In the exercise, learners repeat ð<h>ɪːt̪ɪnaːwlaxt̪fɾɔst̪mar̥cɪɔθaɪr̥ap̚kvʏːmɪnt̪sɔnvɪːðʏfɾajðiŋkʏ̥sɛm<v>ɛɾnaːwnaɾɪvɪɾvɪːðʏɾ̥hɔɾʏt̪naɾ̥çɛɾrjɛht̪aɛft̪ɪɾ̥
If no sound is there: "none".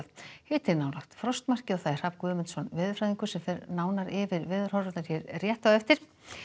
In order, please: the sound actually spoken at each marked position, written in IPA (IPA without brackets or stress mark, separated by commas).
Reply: h, f